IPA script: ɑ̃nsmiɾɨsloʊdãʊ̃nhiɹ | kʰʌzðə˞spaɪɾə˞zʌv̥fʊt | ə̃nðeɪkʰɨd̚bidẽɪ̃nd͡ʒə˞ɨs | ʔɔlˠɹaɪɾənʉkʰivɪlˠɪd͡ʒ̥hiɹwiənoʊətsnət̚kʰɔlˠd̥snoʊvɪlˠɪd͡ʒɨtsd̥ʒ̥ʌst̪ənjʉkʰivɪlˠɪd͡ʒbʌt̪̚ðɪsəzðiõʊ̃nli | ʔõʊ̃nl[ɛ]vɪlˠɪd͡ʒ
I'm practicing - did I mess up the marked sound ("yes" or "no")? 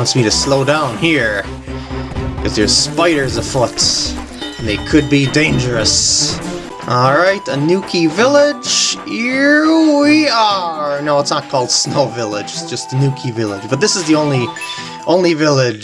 yes